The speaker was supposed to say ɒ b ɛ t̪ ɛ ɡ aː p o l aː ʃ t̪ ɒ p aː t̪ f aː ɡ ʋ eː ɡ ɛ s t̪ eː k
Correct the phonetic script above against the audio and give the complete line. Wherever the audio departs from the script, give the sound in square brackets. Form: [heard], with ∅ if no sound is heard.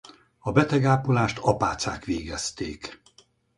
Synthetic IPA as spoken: ɒ b ɛ t̪ ɛ ɡ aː p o l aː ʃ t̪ ɒ p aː t̪ [s] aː [k] ʋ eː ɡ ɛ s t̪ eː k

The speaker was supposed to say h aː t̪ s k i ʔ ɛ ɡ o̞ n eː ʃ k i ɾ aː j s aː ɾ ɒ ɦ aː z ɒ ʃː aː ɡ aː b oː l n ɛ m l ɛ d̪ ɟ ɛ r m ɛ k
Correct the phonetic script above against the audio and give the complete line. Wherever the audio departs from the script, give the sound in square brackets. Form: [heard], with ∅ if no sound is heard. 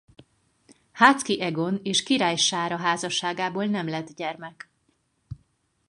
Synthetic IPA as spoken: h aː t̪ s k i ʔ ɛ ɡ o̞ n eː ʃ k i ɾ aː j [ʃ] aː ɾ ɒ ɦ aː z ɒ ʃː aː ɡ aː b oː l n ɛ m l ɛ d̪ ɟ ɛ r m ɛ k

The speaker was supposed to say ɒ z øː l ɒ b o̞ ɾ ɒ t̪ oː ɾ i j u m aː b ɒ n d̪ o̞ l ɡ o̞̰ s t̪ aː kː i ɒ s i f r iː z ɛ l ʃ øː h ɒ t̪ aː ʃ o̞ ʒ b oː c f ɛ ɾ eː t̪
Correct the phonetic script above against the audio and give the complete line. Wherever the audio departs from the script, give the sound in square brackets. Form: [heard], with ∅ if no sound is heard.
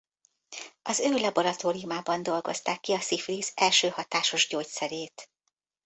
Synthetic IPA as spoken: ɒ z øː l ɒ b o̞ ɾ ɒ t̪ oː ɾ i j u m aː b ɒ n d̪ o̞ l ɡ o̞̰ s t̪ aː kː i ɒ s i f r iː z ɛ l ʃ øː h ɒ t̪ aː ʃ o̞ ʒ [ɟ] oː c [s] ɛ ɾ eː t̪

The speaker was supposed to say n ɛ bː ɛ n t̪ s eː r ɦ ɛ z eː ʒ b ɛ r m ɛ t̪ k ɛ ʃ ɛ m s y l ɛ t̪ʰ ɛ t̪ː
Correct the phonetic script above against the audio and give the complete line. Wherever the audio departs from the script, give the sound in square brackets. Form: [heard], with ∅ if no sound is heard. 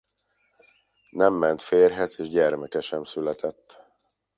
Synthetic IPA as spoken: n ɛ [mː] ɛ n t̪ [f] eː r ɦ ɛ z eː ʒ [ɟ] ɛ r m ɛ [∅] k ɛ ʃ ɛ m s y l ɛ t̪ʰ ɛ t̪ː

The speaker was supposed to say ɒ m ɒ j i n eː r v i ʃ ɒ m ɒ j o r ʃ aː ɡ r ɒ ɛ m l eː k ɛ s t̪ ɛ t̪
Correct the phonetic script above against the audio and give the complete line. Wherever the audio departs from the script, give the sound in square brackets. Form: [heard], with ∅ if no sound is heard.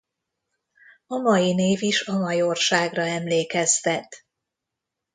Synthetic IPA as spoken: ɒ m ɒ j i n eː [∅] v i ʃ ɒ m ɒ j o r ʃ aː ɡ r ɒ ɛ m l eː k ɛ s t̪ ɛ t̪

